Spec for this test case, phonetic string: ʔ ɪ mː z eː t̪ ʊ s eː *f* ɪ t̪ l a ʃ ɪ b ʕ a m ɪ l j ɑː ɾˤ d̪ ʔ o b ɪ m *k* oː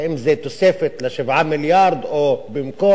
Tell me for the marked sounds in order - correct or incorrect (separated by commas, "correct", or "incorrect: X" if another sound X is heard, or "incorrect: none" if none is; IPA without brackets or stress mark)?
correct, correct